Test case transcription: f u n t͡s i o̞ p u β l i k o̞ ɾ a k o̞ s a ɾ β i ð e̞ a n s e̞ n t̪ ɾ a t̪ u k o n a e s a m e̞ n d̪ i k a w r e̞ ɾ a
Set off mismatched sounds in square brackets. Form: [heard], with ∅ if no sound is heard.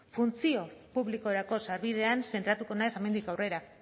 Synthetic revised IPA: f u n t͡s i o̞ p u β l i k o̞ ɾ a k o̞ s a ɾ β i ð e̞ a n s e̞ n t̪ ɾ a t̪ u k o n a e s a m e̞ n d̪ i k a w r e̞ ɾ a